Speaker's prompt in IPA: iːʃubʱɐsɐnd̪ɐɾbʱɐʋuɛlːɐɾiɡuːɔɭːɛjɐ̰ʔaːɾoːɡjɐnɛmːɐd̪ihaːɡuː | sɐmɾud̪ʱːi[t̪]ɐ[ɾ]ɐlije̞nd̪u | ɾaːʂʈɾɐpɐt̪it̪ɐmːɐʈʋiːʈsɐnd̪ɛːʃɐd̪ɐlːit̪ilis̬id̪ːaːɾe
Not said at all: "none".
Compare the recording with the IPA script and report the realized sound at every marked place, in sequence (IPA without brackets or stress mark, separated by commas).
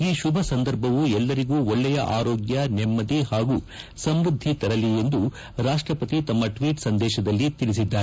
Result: t̪, ɾ